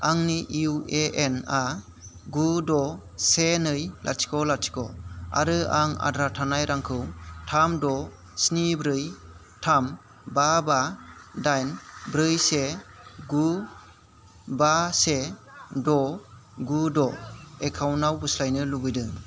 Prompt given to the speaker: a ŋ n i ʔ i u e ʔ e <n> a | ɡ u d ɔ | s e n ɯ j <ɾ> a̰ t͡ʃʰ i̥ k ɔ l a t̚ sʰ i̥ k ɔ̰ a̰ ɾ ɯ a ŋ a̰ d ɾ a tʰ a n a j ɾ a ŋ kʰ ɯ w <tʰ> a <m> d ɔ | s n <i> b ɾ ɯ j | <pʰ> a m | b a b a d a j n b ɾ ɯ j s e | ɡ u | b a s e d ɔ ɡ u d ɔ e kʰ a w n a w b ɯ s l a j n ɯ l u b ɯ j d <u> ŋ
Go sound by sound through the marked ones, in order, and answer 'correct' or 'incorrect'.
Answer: correct, incorrect: l, correct, correct, correct, incorrect: tʰ, incorrect: ɯ

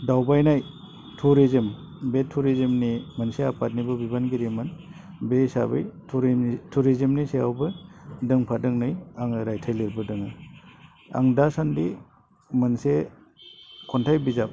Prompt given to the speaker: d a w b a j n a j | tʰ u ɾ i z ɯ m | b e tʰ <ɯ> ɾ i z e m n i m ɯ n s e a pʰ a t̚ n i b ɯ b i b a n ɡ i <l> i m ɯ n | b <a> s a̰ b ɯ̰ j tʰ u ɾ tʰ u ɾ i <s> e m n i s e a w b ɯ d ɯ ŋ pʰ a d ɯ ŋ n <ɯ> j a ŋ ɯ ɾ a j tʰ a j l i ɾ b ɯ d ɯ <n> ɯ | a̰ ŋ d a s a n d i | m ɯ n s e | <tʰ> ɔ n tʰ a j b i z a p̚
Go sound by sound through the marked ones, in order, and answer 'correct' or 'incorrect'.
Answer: incorrect: u, incorrect: ɾ, incorrect: e, incorrect: z, correct, incorrect: ŋ, incorrect: kʰ

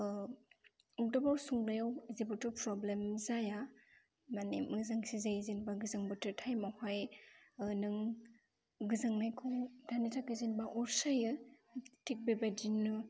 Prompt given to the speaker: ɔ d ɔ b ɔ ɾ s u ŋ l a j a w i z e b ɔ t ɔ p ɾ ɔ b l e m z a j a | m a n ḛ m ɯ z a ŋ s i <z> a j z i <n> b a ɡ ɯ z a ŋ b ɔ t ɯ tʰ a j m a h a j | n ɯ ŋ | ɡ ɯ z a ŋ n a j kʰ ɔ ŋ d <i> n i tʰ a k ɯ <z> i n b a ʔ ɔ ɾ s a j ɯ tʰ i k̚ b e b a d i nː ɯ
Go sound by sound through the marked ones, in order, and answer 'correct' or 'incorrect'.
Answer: correct, correct, incorrect: a, correct

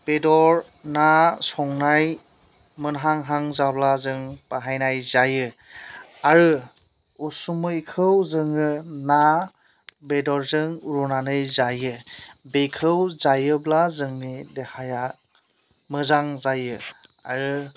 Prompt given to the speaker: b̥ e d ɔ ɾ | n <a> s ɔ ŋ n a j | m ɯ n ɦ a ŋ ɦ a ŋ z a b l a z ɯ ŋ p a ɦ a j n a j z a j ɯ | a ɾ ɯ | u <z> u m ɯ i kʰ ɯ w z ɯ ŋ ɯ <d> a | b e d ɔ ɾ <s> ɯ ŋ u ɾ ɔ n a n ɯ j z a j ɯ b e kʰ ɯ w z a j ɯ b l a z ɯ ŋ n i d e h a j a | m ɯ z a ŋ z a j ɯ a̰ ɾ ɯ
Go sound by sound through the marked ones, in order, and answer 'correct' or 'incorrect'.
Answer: correct, incorrect: s, incorrect: n, incorrect: z

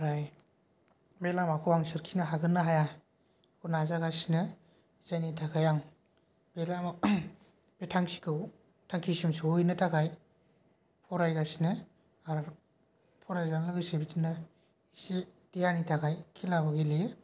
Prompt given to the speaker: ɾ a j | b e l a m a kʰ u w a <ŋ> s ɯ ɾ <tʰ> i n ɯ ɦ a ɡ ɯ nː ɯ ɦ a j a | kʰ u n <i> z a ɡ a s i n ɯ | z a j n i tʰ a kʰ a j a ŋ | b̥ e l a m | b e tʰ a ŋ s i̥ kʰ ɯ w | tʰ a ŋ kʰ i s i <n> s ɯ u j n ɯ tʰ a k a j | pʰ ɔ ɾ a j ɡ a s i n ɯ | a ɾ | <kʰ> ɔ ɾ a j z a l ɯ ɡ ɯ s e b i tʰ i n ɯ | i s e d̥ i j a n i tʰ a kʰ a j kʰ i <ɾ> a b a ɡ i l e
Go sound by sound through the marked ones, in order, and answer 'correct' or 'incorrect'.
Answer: correct, incorrect: kʰ, incorrect: a, incorrect: m, incorrect: pʰ, incorrect: l

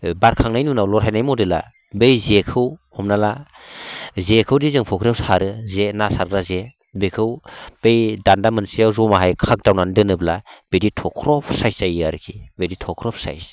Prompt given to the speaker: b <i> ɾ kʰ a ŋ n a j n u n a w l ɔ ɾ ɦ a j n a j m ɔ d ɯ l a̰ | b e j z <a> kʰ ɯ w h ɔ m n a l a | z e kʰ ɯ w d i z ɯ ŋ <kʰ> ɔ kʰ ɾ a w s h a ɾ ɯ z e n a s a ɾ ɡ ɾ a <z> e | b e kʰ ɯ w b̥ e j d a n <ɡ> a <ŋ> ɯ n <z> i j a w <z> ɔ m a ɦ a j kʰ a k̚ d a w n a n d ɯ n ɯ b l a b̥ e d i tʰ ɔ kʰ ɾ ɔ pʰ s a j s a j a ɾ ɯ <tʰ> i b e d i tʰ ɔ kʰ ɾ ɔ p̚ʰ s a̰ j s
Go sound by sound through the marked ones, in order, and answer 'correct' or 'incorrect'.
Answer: incorrect: a, incorrect: e, incorrect: pʰ, correct, incorrect: d, incorrect: m, incorrect: s, correct, incorrect: kʰ

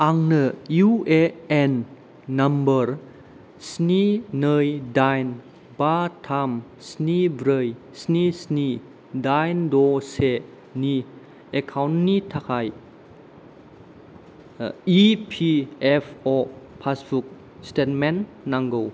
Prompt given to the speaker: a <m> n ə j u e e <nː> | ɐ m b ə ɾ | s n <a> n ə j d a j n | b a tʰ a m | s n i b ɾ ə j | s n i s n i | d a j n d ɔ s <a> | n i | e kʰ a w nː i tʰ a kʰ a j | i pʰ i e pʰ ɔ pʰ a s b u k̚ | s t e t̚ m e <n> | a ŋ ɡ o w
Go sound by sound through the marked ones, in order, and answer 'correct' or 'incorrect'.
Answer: incorrect: ŋ, correct, incorrect: i, incorrect: e, incorrect: nː

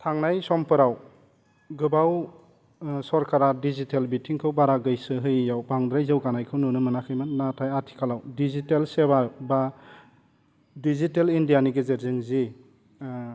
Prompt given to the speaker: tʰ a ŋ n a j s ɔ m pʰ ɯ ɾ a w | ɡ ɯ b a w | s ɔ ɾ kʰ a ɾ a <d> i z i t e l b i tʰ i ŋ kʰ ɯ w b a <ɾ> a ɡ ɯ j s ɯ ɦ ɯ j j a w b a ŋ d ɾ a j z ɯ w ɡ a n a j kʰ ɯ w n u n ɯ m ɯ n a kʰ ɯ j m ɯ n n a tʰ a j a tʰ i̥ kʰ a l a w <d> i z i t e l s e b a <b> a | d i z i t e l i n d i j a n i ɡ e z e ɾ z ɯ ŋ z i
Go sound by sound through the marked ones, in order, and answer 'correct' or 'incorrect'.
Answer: correct, correct, correct, correct

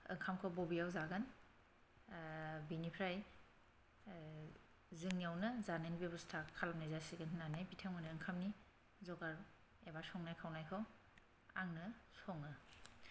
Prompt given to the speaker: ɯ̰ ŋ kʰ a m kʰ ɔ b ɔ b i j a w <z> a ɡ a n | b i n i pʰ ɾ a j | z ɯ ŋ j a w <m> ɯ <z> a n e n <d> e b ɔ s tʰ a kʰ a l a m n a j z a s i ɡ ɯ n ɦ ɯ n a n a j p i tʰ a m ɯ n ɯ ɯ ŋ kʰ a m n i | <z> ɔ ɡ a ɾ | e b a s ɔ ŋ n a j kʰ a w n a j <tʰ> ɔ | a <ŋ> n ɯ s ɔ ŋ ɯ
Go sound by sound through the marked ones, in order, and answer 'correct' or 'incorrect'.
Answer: correct, incorrect: n, correct, incorrect: b, correct, incorrect: kʰ, correct

